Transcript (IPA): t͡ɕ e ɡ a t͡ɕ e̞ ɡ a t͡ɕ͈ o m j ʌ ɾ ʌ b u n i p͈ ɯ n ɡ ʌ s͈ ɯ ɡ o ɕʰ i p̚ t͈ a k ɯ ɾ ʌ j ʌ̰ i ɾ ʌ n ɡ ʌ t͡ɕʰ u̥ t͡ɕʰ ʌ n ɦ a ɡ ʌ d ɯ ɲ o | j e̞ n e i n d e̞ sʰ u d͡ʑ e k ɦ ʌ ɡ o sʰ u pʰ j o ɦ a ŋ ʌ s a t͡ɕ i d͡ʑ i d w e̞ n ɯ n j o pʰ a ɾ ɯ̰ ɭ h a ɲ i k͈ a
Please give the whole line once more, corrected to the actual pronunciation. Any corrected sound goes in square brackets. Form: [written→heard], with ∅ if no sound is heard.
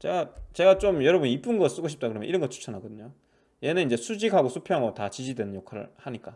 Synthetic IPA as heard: t͡ɕ e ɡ a t͡ɕ e̞ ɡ a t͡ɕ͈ o m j ʌ ɾ ʌ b u n i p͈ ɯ n ɡ ʌ s͈ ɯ ɡ o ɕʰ i p̚ t͈ a k ɯ ɾ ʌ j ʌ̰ i ɾ ʌ n ɡ ʌ t͡ɕʰ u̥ t͡ɕʰ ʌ n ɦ a ɡ ʌ d ɯ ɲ o | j e̞ n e i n [d→d͡ʑ] e̞ sʰ u d͡ʑ [e→i] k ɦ [ʌ→a] ɡ o sʰ u pʰ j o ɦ a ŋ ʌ [s→t] a t͡ɕ i d͡ʑ i d w e̞ n ɯ n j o [pʰ→kʰ] a ɾ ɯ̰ ɭ h a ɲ i k͈ a